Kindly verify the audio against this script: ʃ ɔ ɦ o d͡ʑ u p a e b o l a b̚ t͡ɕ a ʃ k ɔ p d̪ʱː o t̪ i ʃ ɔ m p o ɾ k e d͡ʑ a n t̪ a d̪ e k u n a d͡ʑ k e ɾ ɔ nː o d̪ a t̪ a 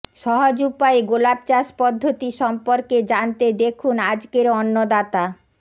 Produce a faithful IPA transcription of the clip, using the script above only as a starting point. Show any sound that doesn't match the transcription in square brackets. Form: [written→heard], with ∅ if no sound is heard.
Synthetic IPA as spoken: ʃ ɔ ɦ o d͡ʑ u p a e [b→ɡ] o l a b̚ t͡ɕ a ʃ [k→p] ɔ [p→∅] d̪ʱː o t̪ i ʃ ɔ m p o ɾ k e d͡ʑ a n t̪ [a→e] d̪ e [k→kʰ] u n a d͡ʑ k e ɾ ɔ nː o d̪ a t̪ a